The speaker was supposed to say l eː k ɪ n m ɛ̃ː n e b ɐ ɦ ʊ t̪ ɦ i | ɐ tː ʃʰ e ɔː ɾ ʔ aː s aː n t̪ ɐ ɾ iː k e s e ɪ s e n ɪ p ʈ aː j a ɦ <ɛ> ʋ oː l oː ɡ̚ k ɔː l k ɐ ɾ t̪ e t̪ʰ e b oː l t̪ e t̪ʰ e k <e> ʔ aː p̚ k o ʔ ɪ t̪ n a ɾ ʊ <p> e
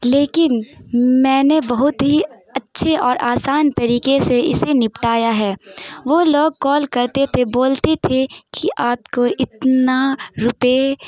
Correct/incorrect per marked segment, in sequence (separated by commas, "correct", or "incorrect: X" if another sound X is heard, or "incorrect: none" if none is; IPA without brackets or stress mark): incorrect: ɛː, incorrect: i, correct